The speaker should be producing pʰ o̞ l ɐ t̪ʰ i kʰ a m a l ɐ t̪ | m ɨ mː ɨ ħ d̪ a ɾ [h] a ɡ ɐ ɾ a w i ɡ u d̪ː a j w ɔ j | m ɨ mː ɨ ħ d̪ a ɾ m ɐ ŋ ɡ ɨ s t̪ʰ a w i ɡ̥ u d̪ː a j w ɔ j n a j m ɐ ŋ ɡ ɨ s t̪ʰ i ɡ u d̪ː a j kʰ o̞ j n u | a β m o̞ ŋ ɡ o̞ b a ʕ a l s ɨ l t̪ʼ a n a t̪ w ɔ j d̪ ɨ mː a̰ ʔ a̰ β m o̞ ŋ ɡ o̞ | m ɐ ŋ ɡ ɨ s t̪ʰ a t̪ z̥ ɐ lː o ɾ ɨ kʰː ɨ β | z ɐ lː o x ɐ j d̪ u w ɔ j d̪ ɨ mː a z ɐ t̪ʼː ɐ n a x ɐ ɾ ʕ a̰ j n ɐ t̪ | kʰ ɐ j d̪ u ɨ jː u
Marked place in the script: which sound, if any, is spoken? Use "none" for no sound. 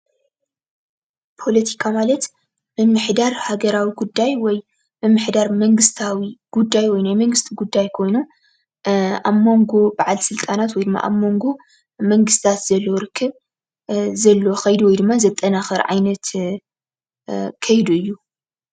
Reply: h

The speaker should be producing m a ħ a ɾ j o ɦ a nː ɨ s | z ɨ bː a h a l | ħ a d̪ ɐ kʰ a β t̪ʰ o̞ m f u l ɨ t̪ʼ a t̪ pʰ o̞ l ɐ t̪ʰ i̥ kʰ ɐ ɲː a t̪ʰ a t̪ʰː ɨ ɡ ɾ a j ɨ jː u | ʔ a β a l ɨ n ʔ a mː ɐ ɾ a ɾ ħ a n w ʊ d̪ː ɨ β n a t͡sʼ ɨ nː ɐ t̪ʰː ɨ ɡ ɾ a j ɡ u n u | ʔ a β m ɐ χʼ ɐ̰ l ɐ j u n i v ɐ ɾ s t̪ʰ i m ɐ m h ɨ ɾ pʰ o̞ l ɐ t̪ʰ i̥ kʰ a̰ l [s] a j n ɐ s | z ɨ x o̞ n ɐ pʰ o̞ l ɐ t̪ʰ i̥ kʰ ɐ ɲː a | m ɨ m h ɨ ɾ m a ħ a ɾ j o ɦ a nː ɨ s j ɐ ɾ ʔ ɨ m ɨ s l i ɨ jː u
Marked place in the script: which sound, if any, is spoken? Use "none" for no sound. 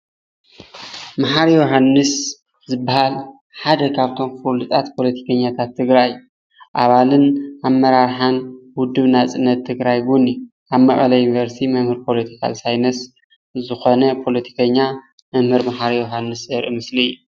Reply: s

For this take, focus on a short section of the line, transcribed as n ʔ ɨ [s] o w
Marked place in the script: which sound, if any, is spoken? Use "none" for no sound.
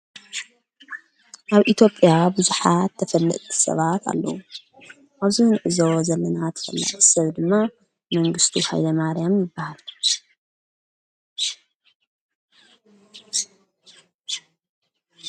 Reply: z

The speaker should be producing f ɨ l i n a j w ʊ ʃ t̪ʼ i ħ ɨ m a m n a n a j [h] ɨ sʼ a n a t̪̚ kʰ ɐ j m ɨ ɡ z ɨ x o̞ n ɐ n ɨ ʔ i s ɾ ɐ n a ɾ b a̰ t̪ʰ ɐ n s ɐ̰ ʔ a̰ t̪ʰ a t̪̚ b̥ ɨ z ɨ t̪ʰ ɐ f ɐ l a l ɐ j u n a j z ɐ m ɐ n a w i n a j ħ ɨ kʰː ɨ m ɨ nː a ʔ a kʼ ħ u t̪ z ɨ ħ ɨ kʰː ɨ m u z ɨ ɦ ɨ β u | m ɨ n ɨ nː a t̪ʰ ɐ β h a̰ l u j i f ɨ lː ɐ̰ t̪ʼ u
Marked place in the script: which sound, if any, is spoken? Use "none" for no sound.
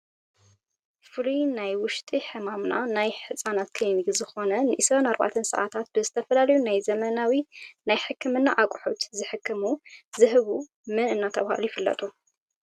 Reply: ħ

